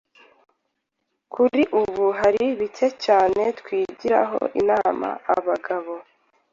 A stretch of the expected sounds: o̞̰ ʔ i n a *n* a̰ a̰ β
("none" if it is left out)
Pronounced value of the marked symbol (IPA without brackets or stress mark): m